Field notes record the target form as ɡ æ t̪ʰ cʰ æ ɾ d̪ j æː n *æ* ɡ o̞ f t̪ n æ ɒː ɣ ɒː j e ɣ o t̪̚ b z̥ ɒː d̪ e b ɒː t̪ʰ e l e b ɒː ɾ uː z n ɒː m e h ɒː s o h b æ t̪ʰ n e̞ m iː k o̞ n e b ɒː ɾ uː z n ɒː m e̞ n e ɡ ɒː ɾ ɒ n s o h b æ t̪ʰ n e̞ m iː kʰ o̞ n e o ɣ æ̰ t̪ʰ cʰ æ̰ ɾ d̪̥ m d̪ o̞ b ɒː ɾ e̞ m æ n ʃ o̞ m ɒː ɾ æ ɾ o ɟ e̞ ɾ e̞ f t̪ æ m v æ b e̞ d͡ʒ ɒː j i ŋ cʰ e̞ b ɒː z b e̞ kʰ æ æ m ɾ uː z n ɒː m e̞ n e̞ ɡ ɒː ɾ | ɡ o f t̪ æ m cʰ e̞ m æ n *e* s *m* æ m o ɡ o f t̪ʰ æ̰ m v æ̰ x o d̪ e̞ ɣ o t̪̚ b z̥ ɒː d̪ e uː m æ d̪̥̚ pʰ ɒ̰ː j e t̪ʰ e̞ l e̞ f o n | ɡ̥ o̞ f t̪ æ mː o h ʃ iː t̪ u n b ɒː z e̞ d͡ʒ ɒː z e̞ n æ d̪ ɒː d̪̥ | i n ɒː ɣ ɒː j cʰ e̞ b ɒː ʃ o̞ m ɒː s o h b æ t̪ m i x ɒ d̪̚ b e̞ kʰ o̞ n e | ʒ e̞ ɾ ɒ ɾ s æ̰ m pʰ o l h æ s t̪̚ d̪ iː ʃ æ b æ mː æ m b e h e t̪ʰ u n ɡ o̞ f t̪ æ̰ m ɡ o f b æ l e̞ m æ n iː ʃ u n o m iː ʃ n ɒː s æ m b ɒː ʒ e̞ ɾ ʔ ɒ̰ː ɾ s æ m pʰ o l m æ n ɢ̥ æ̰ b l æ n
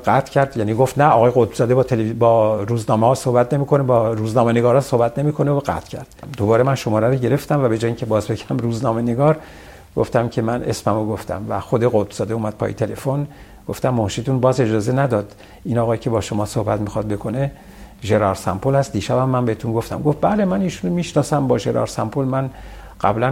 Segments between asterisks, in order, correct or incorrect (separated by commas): incorrect, correct, correct